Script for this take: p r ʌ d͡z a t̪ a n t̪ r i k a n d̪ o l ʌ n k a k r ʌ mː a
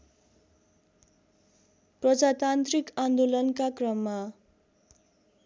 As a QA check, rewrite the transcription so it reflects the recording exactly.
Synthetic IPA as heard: p r ʌ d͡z a t̪ a n t̪ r i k a n d̪ o l ʌ n k a k r ʌ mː a